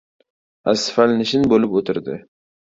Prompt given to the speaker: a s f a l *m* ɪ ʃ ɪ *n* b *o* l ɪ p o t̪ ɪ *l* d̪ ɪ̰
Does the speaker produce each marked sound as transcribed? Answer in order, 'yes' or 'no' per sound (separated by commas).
no, yes, yes, no